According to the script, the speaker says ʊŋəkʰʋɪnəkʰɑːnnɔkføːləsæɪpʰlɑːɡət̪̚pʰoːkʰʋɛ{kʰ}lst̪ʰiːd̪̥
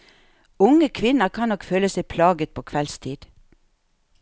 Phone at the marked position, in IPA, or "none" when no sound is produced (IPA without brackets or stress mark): none